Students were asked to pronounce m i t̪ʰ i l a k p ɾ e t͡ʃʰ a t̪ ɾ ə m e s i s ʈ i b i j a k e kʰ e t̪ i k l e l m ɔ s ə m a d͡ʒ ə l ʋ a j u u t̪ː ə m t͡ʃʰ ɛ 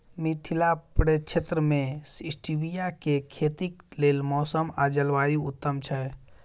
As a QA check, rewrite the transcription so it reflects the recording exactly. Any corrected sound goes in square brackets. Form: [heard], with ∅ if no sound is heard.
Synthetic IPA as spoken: m i t̪ʰ i l a [∅] p ɾ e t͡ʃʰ [e] t̪ ɾ ə m e s i s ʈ i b i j a k e kʰ e t̪ i k l e l m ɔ s ə m a d͡ʒ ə l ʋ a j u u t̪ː ə m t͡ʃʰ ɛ